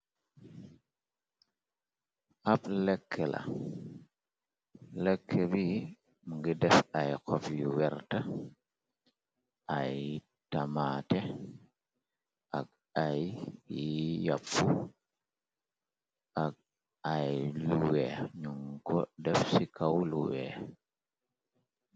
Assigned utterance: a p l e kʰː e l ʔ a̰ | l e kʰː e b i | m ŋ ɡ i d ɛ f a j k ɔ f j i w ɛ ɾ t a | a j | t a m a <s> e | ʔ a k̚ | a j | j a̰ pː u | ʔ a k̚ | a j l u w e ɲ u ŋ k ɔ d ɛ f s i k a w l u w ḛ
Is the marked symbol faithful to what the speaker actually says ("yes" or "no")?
no